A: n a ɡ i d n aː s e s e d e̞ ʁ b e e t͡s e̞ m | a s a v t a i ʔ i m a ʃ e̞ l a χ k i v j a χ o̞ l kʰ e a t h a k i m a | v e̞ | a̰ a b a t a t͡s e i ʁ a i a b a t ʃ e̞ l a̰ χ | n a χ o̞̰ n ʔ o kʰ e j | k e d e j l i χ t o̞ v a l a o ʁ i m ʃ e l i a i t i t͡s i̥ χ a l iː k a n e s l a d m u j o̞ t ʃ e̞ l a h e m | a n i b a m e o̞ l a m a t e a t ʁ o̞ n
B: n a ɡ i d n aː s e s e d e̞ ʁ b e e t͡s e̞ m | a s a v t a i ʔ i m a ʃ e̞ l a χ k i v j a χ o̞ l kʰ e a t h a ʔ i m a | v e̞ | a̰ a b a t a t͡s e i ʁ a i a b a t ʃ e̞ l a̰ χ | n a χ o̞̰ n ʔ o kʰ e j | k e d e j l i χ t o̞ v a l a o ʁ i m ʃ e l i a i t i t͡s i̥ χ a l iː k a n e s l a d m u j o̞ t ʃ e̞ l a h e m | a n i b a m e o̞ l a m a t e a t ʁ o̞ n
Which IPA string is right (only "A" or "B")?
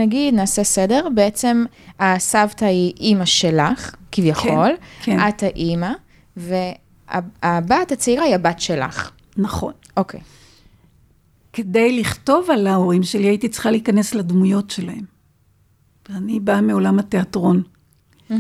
B